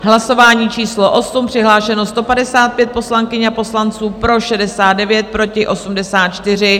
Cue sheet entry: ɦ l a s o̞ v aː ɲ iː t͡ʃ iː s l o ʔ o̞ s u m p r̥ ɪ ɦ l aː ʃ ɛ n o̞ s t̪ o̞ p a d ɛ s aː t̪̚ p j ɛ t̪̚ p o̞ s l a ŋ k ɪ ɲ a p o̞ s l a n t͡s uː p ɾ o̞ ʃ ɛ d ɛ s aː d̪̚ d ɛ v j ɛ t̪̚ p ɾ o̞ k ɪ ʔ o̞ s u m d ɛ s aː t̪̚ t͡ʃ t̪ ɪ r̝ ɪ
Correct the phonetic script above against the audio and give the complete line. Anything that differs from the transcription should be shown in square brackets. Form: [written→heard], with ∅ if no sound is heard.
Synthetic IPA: ɦ l a s o̞ v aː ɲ iː t͡ʃ iː s l o ʔ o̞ s u m p r̥ ɪ ɦ l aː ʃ ɛ n o̞ s t̪ o̞ p a d ɛ s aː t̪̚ p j ɛ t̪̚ p o̞ s l a ŋ k ɪ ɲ a p o̞ s l a n t͡s uː p ɾ o̞ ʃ ɛ d ɛ s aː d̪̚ d ɛ v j ɛ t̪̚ p ɾ o̞ [k→c] ɪ ʔ o̞ s u m d ɛ s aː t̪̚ t͡ʃ t̪ ɪ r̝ ɪ